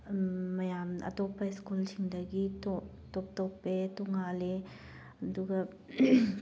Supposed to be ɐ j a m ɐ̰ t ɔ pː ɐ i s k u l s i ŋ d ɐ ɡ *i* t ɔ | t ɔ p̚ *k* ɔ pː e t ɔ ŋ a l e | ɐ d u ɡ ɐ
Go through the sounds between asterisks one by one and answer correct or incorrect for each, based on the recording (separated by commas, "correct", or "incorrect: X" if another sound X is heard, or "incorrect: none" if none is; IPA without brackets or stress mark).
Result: correct, incorrect: t